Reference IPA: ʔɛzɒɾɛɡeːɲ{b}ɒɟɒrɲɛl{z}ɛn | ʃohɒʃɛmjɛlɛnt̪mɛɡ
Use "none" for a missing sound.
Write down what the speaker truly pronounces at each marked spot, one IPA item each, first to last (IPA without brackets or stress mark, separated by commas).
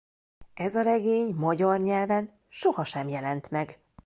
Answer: m, v